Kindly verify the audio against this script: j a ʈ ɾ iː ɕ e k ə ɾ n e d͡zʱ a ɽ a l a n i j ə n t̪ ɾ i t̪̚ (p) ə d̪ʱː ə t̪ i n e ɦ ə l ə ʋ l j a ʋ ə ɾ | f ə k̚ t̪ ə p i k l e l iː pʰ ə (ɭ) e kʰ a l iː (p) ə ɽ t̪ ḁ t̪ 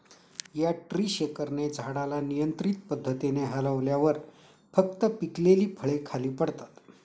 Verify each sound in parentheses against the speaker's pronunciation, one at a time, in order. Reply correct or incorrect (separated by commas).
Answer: correct, correct, correct